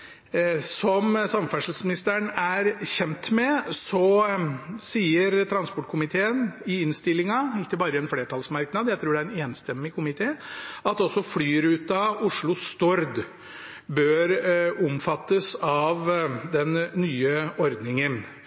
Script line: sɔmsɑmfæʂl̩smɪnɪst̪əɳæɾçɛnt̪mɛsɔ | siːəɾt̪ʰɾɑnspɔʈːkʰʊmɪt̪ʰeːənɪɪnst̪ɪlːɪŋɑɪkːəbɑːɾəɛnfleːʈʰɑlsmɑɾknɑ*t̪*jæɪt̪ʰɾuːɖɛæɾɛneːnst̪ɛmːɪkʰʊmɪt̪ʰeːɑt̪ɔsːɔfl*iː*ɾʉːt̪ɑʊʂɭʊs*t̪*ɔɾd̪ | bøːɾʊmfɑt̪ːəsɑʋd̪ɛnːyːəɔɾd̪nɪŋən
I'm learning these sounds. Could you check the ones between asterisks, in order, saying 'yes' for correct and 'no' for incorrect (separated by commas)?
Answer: no, no, yes